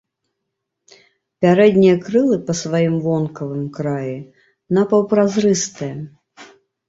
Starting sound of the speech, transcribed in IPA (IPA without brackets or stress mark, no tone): pʲ